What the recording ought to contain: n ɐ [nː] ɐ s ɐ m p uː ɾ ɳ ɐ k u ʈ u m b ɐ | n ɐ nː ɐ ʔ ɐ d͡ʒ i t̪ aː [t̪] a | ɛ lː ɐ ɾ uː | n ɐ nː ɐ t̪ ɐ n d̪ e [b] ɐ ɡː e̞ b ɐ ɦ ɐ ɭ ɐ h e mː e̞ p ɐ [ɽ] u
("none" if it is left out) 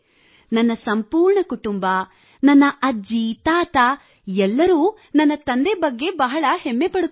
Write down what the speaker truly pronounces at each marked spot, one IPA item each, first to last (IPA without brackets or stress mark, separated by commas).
nː, t̪, b, ɽ